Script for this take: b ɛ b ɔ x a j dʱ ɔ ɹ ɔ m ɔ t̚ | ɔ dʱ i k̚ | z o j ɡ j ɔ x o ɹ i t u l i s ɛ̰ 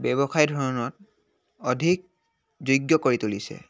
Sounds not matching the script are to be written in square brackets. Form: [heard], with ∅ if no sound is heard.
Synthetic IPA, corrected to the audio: b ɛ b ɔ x a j dʱ ɔ ɹ ɔ [n] ɔ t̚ | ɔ dʱ i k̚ | z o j ɡ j ɔ [k] o ɹ i t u l i s ɛ̰

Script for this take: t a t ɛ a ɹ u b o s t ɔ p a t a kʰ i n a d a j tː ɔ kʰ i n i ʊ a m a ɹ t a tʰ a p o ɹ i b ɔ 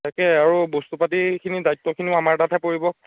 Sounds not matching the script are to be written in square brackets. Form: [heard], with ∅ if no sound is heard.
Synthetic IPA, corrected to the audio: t a [k] ɛ a ɹ u b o s t [u] p a t [i] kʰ i n [i] d a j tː ɔ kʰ i n i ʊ a m a ɹ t a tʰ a p o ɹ i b ɔ

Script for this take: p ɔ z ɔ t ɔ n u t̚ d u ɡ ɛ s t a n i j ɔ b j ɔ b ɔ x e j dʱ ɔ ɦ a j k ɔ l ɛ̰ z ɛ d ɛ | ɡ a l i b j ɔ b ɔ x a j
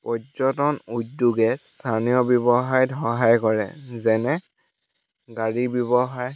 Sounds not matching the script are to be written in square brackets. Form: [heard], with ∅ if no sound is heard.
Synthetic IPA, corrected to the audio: p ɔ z ɔ t ɔ n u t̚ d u ɡ ɛ s [tʰ] a n i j ɔ b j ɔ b ɔ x [a] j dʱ ɔ ɦ a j k ɔ [ɹ] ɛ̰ z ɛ [n] ɛ | ɡ a [ɹ] i b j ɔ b ɔ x a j

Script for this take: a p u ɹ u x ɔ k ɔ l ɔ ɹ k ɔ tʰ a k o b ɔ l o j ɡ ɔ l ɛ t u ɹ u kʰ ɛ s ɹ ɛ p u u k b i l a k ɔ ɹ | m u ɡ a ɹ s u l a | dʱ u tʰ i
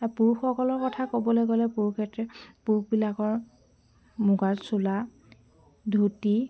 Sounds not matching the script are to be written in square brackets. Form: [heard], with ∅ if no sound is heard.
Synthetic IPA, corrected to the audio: a p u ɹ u x ɔ k ɔ l ɔ ɹ k ɔ tʰ a k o b ɔ l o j ɡ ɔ l ɛ [p] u ɹ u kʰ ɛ [t] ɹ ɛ p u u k b i l a k ɔ ɹ | m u ɡ a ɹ s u l a | dʱ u [t] i

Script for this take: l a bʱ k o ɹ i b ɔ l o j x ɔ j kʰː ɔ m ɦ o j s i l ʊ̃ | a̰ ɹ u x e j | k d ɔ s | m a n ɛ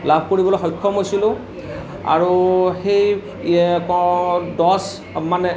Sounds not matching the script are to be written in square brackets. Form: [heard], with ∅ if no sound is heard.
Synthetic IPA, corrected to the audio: l a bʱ k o ɹ i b ɔ l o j x ɔ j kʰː ɔ m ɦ o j s i l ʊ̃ | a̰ ɹ u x e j | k d ɔ s | m a n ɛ

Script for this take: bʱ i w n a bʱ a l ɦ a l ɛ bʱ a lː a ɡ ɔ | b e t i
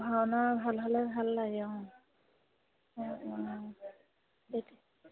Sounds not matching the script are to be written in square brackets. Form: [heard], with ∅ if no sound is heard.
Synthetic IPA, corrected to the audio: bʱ [a] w n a bʱ a l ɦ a l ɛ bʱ a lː a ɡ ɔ | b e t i

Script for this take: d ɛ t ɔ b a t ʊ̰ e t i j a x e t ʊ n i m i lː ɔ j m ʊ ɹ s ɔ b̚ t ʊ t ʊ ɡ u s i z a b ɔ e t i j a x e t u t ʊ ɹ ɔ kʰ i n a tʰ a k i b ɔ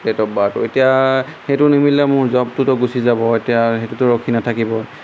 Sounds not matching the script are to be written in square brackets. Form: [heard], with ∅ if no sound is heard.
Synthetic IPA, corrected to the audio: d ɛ t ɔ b a t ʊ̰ e t i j a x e t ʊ n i m i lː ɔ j m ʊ ɹ [z] ɔ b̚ t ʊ t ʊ ɡ u s i z a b ɔ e t i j a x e t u t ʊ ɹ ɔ kʰ i n a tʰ a k i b ɔ

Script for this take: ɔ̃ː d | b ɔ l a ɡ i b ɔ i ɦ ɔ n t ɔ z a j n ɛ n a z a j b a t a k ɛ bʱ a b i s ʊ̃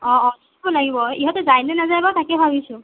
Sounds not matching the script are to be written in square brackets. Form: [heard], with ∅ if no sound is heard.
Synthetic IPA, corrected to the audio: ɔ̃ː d | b ɔ l a ɡ i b ɔ i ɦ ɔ [∅] t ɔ z a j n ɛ n a z a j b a t a k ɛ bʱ a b i s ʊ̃

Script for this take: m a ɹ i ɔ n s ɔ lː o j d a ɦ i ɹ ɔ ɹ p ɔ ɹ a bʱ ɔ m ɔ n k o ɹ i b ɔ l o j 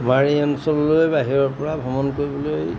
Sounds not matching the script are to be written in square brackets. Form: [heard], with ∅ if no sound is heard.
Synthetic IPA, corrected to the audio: m a ɹ i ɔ n s ɔ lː o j [b] a ɦ i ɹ ɔ ɹ p ɔ ɹ a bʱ ɔ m ɔ n k o ɹ i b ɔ l o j

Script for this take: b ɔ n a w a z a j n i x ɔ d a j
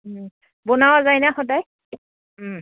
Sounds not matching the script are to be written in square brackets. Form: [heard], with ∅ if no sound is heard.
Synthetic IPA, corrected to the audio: b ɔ n a w a z a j n [a] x ɔ d a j

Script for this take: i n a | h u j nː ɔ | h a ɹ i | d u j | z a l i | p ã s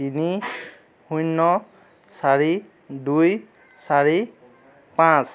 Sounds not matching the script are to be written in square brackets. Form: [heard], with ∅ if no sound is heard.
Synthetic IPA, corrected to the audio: i n [i] | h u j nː ɔ | [s] a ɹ i | d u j | [s] a [ɹ] i | p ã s

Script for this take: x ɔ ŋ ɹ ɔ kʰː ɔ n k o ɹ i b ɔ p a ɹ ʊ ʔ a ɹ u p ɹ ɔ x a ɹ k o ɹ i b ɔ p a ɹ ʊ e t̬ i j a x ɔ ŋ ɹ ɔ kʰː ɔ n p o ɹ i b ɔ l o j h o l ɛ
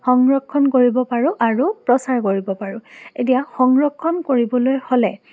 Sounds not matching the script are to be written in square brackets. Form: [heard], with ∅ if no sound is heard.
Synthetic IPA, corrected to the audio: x ɔ ŋ ɹ ɔ kʰː ɔ n k o ɹ i b ɔ p a ɹ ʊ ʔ a ɹ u p ɹ ɔ [s] a ɹ k o ɹ i b ɔ p a ɹ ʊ e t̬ i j a x ɔ ŋ ɹ ɔ kʰː ɔ n [k] o ɹ i b ɔ l o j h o l ɛ

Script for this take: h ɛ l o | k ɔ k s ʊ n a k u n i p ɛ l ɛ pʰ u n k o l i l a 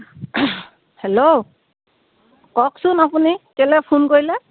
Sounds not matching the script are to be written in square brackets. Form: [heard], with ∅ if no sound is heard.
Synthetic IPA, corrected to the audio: h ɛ l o | k ɔ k s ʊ n a [p] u n i [k] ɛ l ɛ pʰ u n k o [ɹ] i l [ɛ]

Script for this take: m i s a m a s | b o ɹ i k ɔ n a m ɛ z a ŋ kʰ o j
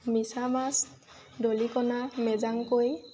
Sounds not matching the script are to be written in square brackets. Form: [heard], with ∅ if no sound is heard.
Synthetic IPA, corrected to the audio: m i s a m a s | [d] o [l] i k ɔ n a m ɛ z a ŋ [k] o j

